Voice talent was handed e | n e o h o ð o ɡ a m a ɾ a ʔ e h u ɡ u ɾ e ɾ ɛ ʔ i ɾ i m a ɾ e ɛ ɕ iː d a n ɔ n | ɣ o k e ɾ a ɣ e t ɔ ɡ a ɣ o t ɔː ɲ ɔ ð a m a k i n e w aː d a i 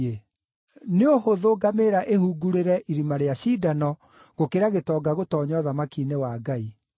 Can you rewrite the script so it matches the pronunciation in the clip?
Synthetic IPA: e | n e o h o ð o ɡ a m e ɾ a ʔ e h u ɡ u ɾ e ɾ ɛ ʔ i ɾ i m a ɾ e a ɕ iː d a n ɔ | ɣ o k e ɾ a ɣ e t ɔ ɡ a ɣ o t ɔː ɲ ɔ ð a m a k i n e w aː ɡ a i